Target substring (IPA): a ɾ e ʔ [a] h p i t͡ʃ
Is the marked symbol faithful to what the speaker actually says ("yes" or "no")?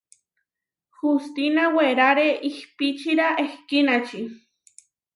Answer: no